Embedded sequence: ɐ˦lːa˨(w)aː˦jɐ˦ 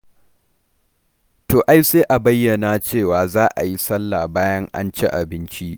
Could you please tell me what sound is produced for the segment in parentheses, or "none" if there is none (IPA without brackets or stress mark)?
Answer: b